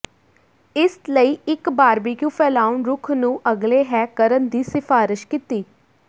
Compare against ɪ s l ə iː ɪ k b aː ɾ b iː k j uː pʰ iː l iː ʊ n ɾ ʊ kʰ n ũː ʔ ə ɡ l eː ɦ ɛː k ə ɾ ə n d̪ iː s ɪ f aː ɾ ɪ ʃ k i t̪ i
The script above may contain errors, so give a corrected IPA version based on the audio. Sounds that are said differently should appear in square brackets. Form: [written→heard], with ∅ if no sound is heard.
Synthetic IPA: ɪ s l ə iː ɪ k b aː ɾ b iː k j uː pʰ [iː→ɛː] l [iː→aː] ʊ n ɾ ʊ kʰ n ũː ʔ ə ɡ l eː ɦ ɛː k ə ɾ ə n d̪ iː s ɪ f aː ɾ ɪ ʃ k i t̪ [i→iː]